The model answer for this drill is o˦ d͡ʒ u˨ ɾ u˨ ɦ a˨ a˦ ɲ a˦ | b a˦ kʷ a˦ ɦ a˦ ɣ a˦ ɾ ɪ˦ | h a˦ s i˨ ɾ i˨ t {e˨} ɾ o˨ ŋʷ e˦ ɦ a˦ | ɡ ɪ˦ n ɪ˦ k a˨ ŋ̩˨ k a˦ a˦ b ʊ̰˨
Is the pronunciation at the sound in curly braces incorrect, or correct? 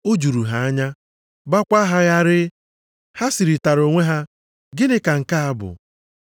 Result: incorrect